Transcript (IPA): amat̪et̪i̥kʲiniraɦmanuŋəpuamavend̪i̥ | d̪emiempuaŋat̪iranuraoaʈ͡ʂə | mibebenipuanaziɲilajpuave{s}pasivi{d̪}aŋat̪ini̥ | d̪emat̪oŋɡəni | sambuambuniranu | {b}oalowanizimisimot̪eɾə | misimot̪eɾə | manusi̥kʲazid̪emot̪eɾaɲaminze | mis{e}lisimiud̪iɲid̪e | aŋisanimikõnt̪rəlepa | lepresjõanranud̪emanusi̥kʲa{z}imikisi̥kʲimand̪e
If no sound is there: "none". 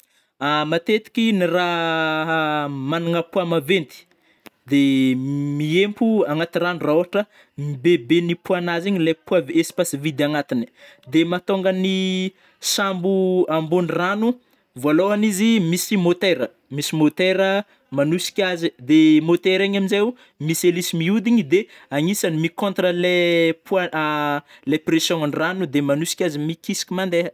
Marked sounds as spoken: s, d̪, v, e, z

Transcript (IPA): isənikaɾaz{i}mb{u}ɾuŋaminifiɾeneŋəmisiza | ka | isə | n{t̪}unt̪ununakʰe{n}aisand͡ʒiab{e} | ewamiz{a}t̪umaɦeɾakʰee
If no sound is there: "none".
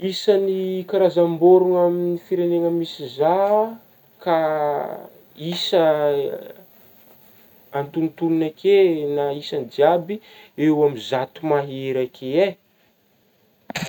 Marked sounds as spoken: a, o, t̪, n, i, a

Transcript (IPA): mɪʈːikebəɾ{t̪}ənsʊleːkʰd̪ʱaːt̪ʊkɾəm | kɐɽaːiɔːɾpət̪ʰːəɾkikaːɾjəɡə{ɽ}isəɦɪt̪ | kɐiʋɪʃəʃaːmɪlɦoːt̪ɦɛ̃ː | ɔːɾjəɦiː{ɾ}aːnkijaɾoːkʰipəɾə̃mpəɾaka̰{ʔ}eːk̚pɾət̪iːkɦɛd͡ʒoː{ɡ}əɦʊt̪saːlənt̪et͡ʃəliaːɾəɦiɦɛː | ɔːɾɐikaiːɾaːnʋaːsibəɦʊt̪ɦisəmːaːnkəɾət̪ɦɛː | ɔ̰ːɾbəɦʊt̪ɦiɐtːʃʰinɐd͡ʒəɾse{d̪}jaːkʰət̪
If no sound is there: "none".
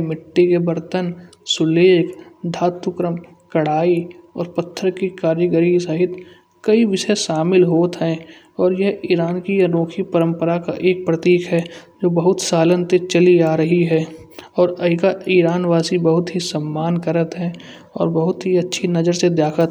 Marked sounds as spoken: t̪, ɾ, ɾ, ʔ, b, d̪

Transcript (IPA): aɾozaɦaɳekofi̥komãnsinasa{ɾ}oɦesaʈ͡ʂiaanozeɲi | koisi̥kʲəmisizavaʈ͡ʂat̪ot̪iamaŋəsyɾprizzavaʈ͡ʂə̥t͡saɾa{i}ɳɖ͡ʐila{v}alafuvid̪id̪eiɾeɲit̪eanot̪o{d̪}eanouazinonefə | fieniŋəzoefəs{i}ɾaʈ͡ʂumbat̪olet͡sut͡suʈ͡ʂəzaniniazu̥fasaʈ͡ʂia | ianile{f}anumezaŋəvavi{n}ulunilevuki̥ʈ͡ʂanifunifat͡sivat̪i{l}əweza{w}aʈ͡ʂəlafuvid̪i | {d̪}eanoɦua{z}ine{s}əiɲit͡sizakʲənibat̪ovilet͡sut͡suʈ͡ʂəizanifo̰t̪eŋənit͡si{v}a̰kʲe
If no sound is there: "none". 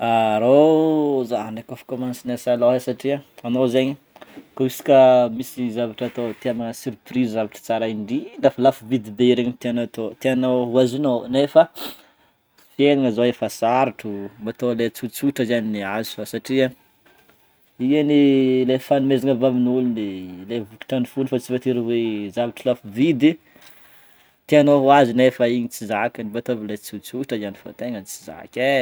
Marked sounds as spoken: l, i, f, t̪, a, f, n, ɾ, v, t̪, z, f, z

